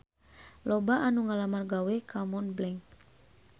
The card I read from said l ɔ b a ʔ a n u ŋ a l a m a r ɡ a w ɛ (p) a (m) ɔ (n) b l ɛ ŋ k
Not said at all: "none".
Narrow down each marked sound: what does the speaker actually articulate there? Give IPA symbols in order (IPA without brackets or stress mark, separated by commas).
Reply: k, m, n